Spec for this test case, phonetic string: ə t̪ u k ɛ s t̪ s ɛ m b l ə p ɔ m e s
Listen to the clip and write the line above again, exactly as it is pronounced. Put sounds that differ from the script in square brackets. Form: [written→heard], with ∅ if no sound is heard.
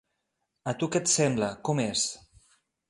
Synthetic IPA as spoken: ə t̪ u k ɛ [s→∅] t̪ s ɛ m b l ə [p→k] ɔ m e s